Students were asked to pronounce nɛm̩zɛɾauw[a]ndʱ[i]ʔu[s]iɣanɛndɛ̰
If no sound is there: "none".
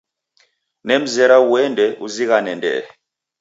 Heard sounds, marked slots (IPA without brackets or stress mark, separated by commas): ɛ, ɛ, z